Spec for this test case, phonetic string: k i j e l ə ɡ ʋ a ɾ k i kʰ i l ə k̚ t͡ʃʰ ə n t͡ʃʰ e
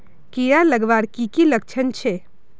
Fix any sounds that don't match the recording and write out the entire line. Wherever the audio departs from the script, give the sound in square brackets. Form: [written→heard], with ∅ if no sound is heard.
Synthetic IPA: k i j [e→a] l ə ɡ ʋ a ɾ k i [kʰ→k] i l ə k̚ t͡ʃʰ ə n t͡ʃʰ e